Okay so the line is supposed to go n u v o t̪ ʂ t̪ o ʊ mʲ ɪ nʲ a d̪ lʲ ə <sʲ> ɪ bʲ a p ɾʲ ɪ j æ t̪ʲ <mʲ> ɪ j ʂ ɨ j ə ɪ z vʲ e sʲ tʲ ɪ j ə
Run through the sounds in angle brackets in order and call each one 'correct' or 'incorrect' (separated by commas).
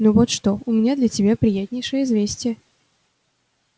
incorrect, incorrect